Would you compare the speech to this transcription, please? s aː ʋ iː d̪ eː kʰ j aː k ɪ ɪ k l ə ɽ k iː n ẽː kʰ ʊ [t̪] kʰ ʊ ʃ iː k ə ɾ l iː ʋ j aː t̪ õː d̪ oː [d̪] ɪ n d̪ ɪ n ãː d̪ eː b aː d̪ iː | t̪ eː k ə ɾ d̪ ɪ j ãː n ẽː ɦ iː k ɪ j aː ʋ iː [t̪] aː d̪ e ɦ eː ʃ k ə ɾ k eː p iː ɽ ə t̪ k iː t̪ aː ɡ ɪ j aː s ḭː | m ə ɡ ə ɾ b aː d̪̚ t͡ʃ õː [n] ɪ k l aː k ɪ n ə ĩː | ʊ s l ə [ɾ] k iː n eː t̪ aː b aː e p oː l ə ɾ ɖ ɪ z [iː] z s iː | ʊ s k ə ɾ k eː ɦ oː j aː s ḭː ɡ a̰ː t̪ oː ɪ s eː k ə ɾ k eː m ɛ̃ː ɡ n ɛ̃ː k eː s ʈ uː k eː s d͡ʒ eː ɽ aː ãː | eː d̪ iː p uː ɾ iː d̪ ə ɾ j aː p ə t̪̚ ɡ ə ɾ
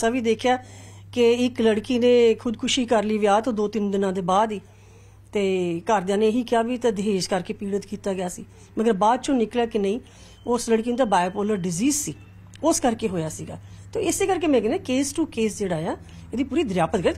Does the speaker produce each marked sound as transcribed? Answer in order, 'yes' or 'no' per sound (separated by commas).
no, no, yes, yes, no, yes